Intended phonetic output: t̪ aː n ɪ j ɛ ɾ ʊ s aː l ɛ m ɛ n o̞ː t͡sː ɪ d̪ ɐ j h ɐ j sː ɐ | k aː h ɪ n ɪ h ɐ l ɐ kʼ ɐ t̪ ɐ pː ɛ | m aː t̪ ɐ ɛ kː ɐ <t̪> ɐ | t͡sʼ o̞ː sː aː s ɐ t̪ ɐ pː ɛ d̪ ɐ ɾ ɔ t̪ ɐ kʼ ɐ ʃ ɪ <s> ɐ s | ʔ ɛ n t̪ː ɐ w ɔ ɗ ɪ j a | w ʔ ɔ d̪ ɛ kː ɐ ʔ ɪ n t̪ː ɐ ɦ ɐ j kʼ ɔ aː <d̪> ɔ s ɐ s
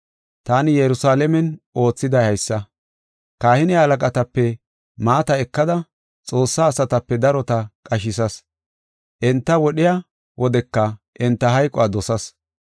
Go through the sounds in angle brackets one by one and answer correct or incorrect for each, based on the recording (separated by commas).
incorrect, correct, correct